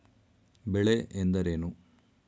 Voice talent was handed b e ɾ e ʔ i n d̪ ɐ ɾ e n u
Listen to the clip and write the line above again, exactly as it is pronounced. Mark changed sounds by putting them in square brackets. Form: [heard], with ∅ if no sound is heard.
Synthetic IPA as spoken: b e [ɭ] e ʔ [e] n d̪ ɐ ɾ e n u